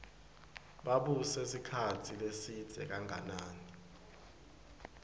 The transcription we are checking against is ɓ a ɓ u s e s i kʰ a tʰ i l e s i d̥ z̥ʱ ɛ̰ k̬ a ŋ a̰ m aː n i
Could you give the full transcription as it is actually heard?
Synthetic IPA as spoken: ɓ a ɓ u s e s i kʰ a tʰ i l e s i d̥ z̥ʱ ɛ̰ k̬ a ŋ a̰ n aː n i